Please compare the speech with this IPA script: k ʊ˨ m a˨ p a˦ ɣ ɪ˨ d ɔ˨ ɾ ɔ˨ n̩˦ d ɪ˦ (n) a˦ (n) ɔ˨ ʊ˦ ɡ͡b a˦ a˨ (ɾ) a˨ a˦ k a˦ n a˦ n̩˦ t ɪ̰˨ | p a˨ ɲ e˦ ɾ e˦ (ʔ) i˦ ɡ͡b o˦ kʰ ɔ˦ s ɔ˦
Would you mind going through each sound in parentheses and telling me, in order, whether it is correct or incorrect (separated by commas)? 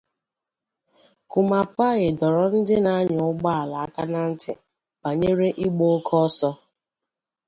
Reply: correct, incorrect, incorrect, correct